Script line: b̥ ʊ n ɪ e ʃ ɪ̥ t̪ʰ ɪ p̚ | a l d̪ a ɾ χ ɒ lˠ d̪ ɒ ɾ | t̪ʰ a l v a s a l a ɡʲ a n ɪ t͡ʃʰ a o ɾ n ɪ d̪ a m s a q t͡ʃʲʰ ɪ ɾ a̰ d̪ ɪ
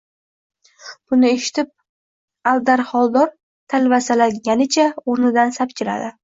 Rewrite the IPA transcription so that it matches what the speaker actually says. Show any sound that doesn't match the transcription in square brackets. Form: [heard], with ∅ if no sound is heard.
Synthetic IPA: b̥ ʊ n ɪ e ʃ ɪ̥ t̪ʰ ɪ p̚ | a l d̪ a ɾ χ ɒ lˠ d̪ ɒ ɾ | t̪ʰ a l v a s a l a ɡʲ a n ɪ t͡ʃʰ a o ɾ n ɪ d̪ a [n] s a [p] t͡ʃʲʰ ɪ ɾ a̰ d̪ ɪ